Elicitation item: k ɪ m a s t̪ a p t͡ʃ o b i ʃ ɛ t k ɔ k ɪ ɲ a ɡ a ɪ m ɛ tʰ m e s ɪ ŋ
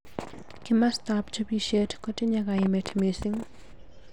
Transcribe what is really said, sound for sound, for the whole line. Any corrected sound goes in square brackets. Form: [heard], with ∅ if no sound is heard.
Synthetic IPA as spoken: k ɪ m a s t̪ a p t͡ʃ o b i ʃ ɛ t k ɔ [t] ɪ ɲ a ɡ a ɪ m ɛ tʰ m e s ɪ ŋ